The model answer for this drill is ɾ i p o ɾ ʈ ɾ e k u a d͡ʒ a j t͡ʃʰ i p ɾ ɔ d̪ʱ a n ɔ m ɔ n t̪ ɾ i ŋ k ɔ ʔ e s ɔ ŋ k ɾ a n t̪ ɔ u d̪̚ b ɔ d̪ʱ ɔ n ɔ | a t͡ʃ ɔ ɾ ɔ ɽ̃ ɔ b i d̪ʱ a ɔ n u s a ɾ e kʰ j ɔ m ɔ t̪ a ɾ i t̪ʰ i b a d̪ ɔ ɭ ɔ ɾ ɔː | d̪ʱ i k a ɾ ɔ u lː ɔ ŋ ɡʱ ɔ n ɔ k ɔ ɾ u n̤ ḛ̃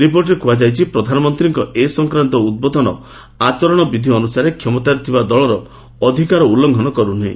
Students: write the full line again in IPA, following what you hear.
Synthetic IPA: ɾ i p o ɾ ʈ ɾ e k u a d͡ʒ a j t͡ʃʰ i p ɾ ɔ d̪ʱ a n ɔ m ɔ n t̪ ɾ i ŋ k ɔ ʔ e s ɔ ŋ k ɾ a n t̪ ɔ u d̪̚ b ɔ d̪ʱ ɔ n ɔ | a t͡ʃ ɔ ɾ ɔ ɽ̃ ɔ b i d̪ʱ i ɔ n u s a ɾ e kʰ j ɔ m ɔ t̪ a ɾ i t̪ʰ i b a d̪ ɔ ɭ ɔ ɾ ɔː | d̪ʱ i k a ɾ ɔ u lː ɔ ŋ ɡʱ ɔ n ɔ k ɔ ɾ u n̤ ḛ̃